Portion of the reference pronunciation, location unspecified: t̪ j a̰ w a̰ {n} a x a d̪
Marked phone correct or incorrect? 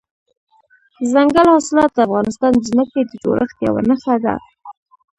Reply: correct